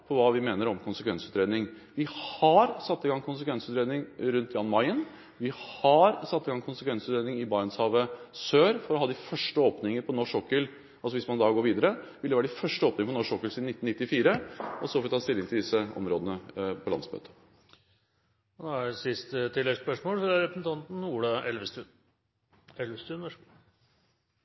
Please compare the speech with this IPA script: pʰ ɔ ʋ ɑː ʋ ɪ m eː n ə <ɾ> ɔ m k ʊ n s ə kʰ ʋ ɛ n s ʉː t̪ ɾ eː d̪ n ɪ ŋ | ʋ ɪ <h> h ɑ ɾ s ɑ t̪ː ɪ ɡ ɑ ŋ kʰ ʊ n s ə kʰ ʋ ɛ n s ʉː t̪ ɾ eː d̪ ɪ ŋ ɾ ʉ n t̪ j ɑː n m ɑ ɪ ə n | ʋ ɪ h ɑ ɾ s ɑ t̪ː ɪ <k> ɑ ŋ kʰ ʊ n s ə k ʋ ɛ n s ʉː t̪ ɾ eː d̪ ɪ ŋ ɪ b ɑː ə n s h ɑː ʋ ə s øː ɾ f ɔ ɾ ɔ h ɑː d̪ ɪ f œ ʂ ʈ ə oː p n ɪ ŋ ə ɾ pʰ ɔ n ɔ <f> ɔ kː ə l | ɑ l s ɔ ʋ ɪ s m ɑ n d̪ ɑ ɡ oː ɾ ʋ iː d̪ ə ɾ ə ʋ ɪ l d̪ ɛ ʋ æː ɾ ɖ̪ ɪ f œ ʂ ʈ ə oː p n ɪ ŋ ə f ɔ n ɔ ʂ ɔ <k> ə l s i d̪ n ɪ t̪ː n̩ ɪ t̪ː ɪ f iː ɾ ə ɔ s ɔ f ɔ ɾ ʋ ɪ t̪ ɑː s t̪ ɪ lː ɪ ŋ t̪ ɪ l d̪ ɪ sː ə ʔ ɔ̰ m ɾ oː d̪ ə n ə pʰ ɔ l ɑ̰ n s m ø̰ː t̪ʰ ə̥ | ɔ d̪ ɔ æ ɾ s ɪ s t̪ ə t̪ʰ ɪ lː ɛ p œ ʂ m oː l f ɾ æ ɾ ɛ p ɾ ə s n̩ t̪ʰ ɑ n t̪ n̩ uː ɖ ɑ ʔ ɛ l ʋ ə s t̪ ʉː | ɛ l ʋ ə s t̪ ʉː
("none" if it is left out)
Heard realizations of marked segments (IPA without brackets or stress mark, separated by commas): ɾ, h, ɡ, ʂ, k